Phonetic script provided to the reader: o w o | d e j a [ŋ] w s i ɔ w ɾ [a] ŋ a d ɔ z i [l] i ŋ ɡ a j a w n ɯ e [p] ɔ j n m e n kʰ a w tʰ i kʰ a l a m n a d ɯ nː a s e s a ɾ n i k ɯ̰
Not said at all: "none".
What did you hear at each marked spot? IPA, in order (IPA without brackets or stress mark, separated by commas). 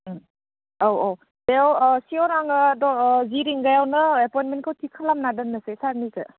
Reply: none, a, ɾ, p